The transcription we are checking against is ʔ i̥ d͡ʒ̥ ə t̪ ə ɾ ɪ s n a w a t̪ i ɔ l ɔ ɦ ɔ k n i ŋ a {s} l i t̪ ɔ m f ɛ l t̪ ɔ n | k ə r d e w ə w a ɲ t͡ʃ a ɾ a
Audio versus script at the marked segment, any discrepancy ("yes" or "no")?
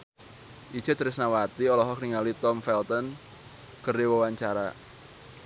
yes